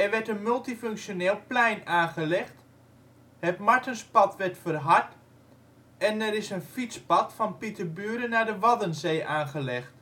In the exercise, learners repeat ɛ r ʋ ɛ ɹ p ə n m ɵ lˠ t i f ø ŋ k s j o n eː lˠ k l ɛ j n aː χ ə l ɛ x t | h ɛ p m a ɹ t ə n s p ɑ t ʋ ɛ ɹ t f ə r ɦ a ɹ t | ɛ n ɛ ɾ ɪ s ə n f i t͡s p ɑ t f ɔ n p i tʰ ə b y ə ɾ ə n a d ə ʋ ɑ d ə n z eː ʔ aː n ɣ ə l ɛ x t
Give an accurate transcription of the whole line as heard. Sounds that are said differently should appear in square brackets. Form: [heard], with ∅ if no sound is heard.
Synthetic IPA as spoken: ɛ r ʋ ɛ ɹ [t] ə n m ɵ lˠ t i f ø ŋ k s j o n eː lˠ [p] l ɛ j n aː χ ə l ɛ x t | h ɛ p m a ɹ t ə n s p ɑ t ʋ ɛ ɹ t f ə r ɦ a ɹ t | ɛ n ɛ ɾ ɪ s ə n f i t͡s p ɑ t f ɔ n p i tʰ ə b y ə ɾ ə n a d ə ʋ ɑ d ə n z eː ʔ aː n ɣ ə l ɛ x t